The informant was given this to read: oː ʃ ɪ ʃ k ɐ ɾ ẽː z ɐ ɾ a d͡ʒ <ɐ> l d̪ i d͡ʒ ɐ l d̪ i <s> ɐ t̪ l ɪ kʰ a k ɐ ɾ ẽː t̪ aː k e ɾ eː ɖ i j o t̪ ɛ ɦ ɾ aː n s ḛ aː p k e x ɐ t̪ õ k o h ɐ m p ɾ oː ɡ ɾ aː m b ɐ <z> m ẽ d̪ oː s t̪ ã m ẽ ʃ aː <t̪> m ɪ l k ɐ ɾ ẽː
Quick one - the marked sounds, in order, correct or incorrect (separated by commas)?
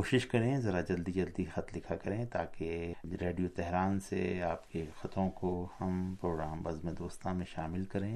correct, incorrect, correct, incorrect